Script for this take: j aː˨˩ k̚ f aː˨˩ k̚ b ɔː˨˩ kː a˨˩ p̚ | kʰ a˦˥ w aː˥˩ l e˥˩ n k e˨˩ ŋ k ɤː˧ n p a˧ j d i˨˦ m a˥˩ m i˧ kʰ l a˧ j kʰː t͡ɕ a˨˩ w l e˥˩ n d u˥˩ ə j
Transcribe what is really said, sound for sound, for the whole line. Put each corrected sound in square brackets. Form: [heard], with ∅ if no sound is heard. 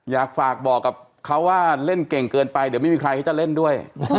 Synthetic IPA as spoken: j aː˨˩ k̚ f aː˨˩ k̚ b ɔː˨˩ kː a˨˩ p̚ | kʰ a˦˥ w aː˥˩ l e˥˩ n k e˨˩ ŋ k ɤː˧ n p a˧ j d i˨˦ m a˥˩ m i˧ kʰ [ɾ] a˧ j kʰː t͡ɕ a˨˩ [∅] l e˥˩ n d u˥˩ ə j